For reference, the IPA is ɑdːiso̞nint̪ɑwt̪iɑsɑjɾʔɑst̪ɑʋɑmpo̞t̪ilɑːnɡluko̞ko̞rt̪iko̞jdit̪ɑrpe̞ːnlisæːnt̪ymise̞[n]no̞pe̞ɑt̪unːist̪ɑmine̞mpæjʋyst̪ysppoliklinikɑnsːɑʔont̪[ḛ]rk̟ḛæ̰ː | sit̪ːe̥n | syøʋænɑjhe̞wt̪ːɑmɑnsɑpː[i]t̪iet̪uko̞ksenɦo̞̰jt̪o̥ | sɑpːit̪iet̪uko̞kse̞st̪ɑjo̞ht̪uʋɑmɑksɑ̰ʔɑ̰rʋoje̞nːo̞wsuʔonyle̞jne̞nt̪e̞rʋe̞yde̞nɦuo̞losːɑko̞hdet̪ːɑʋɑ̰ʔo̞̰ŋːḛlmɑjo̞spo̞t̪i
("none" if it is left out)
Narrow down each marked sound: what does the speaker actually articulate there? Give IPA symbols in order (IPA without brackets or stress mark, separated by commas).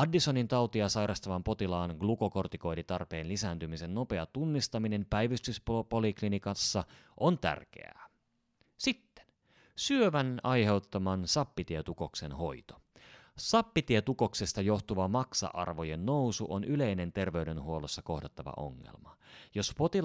n, æ̰, i